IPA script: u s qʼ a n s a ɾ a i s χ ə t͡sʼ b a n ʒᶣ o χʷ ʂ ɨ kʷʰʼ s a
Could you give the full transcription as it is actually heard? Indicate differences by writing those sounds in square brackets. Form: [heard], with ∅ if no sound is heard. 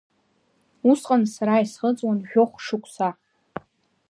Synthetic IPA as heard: u s qʼ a n s a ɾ a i s χ ə t͡sʼ [w] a n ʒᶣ o χʷ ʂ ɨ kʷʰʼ s a